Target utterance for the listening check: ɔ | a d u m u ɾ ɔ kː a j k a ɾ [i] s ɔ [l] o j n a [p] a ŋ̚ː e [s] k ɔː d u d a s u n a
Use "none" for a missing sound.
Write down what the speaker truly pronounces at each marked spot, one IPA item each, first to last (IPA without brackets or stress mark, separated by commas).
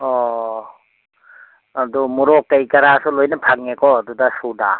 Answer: a, l, pʰ, none